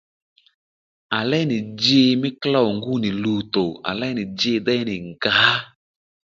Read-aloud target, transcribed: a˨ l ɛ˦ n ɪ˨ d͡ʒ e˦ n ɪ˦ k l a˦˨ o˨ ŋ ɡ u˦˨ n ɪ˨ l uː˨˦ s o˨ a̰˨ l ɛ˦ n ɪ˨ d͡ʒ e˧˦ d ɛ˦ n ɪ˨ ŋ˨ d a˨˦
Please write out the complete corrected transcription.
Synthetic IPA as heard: a˨ l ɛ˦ n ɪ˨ d͡ʒ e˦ m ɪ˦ k l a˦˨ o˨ ŋ ɡ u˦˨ n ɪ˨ l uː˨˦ t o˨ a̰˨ l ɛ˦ n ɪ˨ d͡ʒ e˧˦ d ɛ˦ n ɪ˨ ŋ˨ ɡ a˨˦